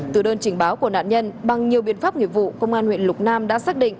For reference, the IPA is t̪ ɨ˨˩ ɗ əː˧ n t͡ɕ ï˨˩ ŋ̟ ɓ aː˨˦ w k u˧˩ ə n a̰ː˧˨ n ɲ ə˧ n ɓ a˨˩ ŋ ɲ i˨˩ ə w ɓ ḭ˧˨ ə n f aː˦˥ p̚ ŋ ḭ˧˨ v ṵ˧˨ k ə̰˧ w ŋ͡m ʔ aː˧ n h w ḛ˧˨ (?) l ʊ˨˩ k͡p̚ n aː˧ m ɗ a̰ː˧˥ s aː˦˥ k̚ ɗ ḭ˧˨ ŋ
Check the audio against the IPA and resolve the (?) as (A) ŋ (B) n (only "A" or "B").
B